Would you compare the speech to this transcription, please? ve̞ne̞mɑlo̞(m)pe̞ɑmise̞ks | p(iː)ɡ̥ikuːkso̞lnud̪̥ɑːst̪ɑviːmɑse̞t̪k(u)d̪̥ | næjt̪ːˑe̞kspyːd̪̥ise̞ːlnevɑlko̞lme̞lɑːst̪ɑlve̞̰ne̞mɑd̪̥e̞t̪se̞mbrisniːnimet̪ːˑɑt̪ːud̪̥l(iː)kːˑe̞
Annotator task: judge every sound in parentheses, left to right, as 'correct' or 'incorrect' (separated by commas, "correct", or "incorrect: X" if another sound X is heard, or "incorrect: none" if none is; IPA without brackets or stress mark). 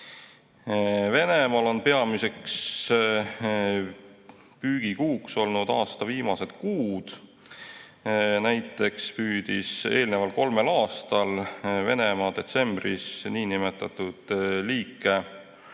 incorrect: n, incorrect: yː, incorrect: uː, correct